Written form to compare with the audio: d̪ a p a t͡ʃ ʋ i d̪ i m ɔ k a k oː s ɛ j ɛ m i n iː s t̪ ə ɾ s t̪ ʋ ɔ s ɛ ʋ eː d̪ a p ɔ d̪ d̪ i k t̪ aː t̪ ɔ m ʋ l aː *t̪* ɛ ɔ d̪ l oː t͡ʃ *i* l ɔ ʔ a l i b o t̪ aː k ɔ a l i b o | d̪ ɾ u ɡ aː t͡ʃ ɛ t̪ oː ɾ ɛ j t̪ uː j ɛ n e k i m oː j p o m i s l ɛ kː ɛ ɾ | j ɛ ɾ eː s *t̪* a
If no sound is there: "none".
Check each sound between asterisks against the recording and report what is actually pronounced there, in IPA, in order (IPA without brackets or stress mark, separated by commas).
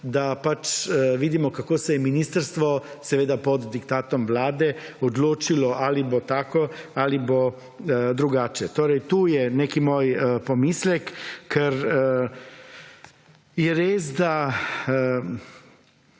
d̪, i, d̪